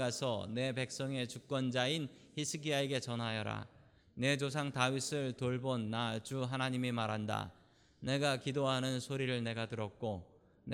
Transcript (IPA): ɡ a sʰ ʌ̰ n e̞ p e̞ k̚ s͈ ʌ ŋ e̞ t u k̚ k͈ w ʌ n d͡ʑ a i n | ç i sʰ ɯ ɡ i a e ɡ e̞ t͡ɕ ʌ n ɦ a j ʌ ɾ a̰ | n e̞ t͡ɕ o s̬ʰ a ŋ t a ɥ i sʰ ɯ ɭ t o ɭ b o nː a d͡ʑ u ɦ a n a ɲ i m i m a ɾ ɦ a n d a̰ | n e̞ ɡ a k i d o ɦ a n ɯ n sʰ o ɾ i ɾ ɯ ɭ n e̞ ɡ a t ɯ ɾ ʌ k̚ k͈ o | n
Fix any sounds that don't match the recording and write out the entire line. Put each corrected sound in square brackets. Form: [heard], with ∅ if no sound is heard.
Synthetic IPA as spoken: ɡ a sʰ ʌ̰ n e̞ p e̞ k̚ s͈ ʌ ŋ e̞ [t͡ɕ] u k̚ k͈ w ʌ n d͡ʑ a i n | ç i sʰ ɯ ɡ i a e ɡ e̞ t͡ɕ ʌ n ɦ a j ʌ ɾ a̰ | n e̞ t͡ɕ o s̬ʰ a ŋ t a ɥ i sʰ ɯ ɭ t o ɭ b o nː a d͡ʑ u ɦ a n a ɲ i m i m a ɾ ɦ a n d a̰ | n e̞ ɡ a k i d o ɦ a n ɯ n sʰ o ɾ i ɾ ɯ ɭ n e̞ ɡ a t ɯ ɾ ʌ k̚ k͈ o | n